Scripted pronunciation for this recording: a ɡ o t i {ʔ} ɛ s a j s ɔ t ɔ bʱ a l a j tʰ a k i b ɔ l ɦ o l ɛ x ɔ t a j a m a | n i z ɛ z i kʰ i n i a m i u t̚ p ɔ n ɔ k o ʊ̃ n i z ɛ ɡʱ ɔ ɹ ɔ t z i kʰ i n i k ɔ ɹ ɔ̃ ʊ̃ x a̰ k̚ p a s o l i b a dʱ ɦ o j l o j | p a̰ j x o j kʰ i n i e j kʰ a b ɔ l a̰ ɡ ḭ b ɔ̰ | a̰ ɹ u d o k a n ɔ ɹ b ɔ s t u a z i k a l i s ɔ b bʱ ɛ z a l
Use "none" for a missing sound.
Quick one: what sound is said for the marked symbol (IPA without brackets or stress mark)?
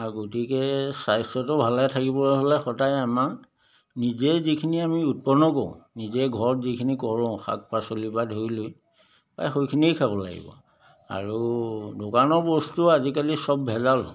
k